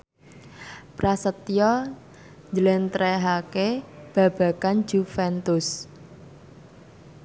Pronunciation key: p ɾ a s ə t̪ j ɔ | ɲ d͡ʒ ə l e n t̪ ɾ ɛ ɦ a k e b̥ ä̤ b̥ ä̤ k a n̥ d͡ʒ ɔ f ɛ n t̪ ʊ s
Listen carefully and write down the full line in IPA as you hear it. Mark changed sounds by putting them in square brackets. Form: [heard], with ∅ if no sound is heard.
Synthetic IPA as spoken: p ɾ a s ə t̪ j ɔ | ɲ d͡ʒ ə l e n t̪ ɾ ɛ ɦ a k e b̥ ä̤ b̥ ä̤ k a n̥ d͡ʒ [u] f ɛ n t̪ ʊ s